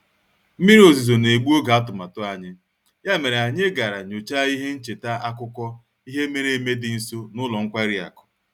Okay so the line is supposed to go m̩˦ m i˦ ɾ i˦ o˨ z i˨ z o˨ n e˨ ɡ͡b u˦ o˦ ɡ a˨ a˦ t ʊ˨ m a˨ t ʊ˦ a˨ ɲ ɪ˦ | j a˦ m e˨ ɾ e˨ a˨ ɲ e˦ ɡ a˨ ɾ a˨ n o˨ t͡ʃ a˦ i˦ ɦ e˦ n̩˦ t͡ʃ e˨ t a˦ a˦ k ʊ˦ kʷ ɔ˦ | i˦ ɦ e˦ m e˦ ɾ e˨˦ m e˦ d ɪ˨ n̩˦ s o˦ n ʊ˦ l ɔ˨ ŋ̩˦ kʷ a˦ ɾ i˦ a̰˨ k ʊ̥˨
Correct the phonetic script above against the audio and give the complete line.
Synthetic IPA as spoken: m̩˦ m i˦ ɾ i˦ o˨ z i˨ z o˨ n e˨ ɡ͡b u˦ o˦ ɡ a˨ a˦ t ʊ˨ m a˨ t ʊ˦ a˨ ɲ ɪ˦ | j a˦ m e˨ ɾ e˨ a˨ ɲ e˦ ɡ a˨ ɾ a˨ ɲ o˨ t͡ʃ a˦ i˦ ɦ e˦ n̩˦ t͡ʃ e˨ t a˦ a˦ k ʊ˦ kʷ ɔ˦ | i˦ ɦ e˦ m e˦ ɾ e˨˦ m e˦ d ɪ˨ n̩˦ s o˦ n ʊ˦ l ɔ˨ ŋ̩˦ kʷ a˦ ɾ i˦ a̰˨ k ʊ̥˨